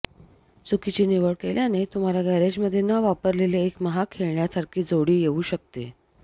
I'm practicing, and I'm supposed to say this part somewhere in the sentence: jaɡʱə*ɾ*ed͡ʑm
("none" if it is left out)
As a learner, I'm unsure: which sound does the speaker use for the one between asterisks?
ɾ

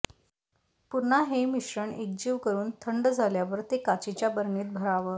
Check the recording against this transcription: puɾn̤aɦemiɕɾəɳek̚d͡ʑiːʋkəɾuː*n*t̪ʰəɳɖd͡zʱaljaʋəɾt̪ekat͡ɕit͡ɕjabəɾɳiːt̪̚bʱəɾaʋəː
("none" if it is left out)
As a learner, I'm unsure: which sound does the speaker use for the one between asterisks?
n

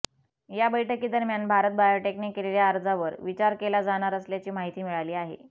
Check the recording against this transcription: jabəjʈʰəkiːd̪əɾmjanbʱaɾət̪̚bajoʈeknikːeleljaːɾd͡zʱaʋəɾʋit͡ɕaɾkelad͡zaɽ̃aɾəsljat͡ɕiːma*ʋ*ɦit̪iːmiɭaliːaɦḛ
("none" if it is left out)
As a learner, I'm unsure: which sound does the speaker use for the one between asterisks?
none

